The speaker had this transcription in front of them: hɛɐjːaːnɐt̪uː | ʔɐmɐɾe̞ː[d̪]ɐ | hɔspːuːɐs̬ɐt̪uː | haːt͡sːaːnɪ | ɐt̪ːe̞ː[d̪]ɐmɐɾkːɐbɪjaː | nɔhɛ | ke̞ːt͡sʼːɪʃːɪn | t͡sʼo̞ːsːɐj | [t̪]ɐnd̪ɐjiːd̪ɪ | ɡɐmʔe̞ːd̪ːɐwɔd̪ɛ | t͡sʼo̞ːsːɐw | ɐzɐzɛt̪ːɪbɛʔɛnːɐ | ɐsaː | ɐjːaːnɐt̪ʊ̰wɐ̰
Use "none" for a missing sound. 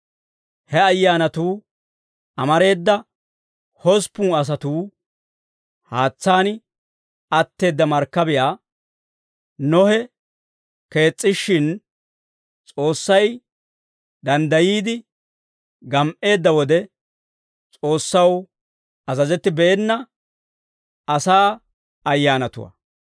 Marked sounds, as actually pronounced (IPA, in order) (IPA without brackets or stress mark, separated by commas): d̪ː, d̪ː, d̪